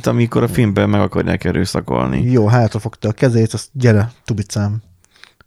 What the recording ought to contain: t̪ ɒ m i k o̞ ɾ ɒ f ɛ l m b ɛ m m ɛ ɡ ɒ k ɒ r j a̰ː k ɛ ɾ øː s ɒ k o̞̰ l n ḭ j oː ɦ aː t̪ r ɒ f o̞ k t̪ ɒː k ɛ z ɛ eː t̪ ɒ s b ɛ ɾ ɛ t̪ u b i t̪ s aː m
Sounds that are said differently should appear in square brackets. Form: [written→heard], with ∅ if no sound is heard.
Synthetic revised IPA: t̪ ɒ m i k o̞ ɾ ɒ f [ɛ→i] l m b ɛ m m ɛ ɡ ɒ k ɒ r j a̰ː k ɛ ɾ øː s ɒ k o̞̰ l n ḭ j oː ɦ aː t̪ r ɒ f o̞ k t̪ ɒː k ɛ z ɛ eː t̪ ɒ s [b→ɟ] ɛ ɾ ɛ t̪ u b i t̪ s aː m